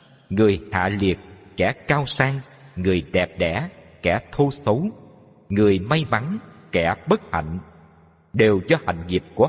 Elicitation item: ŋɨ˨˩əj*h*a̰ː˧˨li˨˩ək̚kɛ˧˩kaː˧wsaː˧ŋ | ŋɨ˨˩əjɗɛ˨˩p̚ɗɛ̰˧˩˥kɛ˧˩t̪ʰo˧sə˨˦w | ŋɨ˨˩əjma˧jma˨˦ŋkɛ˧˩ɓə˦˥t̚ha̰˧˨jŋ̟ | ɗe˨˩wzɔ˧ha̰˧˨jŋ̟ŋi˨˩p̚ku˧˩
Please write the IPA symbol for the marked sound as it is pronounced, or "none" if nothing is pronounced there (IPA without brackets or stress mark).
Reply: h